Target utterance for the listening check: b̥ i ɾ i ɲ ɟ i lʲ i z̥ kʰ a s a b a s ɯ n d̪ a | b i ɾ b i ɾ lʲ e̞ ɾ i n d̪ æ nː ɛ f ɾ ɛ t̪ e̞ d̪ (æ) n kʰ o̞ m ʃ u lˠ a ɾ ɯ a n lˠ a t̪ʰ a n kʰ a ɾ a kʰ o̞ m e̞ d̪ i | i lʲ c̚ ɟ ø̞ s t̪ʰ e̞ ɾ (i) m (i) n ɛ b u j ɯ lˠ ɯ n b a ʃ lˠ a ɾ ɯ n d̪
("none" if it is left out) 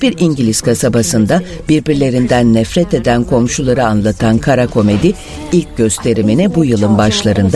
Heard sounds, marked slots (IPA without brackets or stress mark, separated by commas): æ, i, i